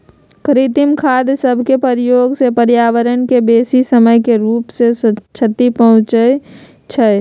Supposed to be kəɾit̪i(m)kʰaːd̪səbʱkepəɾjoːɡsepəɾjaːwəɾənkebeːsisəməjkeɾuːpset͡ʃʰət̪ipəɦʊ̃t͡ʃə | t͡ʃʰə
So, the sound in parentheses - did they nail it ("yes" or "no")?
yes